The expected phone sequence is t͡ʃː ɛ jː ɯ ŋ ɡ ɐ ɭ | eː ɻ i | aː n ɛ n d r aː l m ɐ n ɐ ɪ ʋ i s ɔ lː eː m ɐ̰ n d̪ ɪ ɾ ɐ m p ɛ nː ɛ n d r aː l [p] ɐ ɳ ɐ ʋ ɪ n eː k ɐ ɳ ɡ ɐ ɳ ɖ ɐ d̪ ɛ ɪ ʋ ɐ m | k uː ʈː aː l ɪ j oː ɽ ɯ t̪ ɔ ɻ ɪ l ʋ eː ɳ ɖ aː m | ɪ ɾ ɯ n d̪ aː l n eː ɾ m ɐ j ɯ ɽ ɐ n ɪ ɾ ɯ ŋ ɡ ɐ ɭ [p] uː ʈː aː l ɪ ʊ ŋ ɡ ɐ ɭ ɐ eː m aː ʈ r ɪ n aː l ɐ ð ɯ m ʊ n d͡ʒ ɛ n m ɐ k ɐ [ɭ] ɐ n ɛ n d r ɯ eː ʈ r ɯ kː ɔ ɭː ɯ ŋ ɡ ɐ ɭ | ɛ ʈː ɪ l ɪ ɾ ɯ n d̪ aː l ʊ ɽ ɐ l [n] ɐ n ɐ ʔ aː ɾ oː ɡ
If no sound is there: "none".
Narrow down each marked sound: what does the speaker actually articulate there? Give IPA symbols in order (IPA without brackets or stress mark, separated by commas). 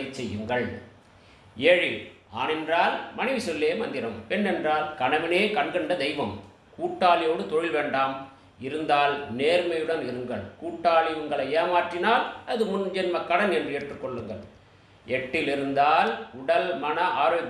k, k, ɽ, m